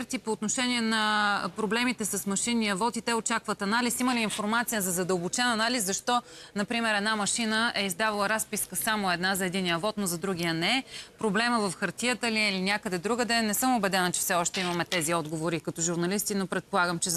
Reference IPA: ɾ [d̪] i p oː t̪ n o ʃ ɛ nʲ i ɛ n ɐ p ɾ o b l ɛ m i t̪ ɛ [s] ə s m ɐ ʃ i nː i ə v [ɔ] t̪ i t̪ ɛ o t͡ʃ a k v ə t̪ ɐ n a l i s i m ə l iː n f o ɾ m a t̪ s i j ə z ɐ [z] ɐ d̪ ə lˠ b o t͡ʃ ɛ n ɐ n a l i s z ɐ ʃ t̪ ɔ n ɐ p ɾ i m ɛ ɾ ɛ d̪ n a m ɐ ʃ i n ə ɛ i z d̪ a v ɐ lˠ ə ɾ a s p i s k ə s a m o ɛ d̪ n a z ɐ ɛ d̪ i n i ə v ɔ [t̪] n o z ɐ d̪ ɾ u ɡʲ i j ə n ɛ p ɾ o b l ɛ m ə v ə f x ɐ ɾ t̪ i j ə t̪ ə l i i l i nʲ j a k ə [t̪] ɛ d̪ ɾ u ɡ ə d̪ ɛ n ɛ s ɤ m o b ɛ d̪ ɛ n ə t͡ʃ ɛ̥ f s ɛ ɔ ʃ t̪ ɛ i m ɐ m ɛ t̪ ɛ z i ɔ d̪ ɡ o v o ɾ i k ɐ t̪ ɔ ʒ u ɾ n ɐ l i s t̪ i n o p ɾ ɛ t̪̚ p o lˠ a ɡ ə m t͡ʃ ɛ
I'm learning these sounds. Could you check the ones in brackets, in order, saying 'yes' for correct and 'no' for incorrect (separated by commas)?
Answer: no, yes, yes, yes, yes, no